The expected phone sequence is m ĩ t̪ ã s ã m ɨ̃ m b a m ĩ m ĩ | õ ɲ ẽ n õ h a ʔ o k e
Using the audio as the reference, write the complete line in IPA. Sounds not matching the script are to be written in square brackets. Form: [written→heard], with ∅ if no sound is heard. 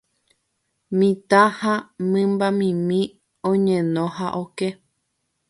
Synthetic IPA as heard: m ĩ t̪ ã [s→h] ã m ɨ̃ m b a m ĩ m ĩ | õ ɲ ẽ n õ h a ʔ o k e